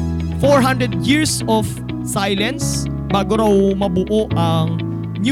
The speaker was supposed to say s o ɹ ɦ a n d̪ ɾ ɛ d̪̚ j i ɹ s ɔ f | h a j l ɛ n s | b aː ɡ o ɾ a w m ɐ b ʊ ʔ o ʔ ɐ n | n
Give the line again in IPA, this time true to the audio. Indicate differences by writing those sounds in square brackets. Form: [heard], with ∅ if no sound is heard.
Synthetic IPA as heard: [f] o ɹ ɦ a n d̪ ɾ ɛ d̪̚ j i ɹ s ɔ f | [s] a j l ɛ n s | b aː ɡ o ɾ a w m ɐ b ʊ ʔ o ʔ ɐ [ŋ] | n